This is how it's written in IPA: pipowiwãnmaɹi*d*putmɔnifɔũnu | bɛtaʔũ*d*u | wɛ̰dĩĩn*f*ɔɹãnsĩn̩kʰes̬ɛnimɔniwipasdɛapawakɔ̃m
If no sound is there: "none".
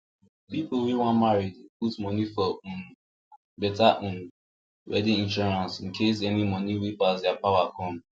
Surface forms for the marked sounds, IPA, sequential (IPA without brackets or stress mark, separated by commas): d, n, ʃ